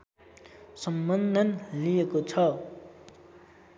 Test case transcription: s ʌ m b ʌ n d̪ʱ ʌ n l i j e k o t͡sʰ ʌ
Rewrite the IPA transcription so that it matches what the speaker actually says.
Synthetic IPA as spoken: s ʌ m b ʌ n d̪ʱ ʌ n l i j e k o t͡sʰ ʌ